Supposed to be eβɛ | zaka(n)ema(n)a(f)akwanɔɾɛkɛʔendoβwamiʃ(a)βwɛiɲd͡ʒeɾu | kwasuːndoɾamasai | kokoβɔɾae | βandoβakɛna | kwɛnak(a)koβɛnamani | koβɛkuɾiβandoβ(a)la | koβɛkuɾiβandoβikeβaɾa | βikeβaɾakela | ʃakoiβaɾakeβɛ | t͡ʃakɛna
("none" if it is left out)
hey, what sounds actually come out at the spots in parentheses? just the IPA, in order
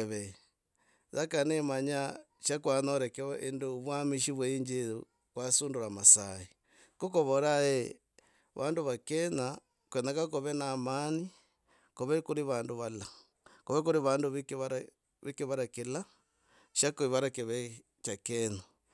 n, ɲ, ʃ, i, a, a

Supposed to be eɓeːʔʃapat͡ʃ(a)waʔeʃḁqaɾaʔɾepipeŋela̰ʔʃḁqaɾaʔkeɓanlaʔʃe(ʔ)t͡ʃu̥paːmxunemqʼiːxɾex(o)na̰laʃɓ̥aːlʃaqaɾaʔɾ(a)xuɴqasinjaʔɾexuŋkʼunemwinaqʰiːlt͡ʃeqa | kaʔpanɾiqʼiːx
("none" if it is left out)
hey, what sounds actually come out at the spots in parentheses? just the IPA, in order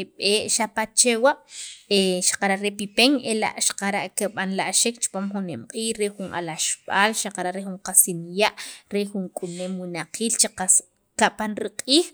e, k, u, e

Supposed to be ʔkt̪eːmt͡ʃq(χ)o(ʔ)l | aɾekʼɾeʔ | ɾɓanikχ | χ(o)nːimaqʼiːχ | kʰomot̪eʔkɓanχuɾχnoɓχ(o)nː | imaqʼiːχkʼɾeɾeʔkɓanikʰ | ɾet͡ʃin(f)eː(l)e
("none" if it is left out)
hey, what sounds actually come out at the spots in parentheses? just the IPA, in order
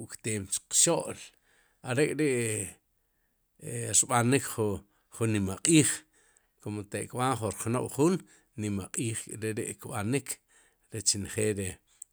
ʃ, ʔ, u, u, χ, ɾ

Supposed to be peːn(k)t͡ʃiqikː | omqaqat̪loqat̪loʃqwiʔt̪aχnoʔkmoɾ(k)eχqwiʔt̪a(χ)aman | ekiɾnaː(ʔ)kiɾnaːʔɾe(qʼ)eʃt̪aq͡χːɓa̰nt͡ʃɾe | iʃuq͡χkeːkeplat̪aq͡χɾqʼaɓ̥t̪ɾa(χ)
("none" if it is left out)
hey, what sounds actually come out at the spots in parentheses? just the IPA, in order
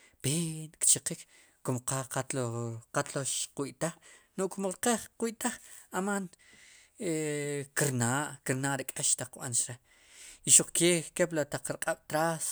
k, q, χ, ʔ, kʼ, s

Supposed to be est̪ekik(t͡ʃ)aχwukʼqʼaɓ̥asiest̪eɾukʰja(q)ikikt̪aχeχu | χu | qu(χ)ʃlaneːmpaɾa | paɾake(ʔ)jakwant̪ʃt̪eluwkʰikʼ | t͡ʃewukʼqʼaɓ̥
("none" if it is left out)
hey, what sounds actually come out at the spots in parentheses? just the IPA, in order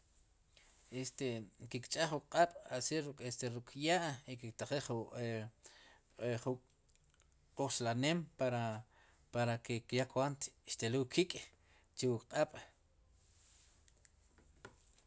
t͡ʃʼ, ʔ, χ, k

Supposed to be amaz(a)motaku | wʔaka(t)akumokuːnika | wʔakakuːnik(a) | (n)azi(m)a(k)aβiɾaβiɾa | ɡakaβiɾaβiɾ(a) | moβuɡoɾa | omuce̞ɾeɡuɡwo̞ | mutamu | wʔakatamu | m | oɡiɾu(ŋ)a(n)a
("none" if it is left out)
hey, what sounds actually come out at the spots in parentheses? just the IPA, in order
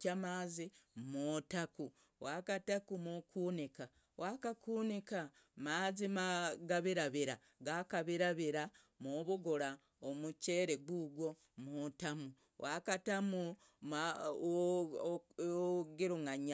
i, t, a, m, m, ɡ, a, ŋ, ɲ

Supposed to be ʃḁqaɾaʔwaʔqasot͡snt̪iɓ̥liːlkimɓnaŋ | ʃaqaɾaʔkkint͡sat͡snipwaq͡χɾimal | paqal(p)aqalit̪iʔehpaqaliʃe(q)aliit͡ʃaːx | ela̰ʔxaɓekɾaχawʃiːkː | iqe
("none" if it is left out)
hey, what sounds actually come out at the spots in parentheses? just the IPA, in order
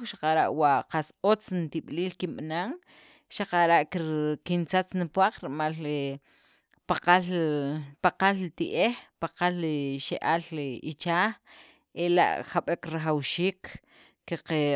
p, ʔ

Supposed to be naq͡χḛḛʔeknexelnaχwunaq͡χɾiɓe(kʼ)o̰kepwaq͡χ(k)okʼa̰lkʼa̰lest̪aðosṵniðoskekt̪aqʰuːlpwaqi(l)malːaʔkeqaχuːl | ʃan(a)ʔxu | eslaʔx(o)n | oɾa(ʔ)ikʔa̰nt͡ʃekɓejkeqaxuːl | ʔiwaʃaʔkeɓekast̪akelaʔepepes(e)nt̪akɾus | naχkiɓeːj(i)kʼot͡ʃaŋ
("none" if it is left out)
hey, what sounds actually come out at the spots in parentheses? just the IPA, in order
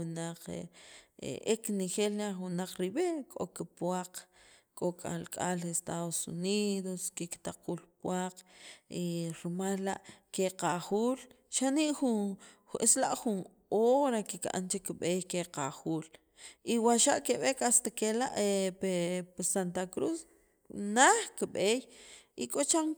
kʼ, kʼ, ɾ, i, u, k, a, i

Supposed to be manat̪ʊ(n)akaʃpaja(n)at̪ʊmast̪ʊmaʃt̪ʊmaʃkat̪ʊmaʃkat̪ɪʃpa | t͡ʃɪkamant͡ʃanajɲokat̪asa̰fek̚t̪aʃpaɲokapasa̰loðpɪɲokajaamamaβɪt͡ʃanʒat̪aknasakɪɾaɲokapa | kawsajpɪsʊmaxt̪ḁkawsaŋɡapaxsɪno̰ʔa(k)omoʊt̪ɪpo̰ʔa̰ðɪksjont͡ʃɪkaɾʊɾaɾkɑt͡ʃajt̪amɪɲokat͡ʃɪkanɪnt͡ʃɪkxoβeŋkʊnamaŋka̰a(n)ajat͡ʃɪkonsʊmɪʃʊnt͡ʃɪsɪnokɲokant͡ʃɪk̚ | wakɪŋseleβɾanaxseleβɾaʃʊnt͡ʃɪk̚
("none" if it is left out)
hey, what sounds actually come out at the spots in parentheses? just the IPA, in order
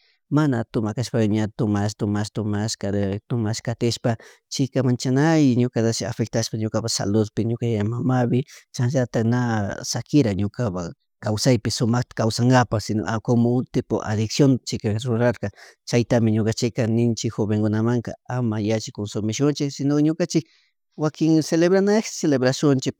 m, ɲ, k, m

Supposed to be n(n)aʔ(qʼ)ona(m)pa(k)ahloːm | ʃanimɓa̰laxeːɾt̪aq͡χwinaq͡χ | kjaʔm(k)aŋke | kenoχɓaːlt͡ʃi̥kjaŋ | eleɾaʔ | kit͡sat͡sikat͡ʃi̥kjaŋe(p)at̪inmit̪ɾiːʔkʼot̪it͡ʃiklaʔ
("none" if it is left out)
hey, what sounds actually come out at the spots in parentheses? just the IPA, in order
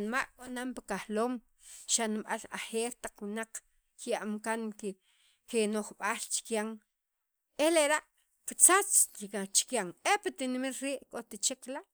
m, kʼ, m, k, k, p

